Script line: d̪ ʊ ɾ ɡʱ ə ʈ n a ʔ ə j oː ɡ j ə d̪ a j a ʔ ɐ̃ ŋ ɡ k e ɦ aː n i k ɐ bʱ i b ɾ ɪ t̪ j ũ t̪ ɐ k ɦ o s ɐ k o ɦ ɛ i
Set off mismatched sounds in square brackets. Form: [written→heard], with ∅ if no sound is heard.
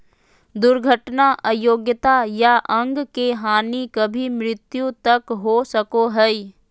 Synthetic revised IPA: d̪ ʊ ɾ ɡʱ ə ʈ n a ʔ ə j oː ɡ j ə [d̪→t̪] a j a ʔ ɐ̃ ŋ ɡ k e ɦ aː n i k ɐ bʱ i [b→m] ɾ ɪ t̪ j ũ t̪ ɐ k ɦ o s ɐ k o ɦ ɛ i